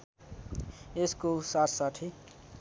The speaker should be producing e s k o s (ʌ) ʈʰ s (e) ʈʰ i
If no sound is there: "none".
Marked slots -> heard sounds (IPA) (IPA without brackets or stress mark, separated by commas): a, a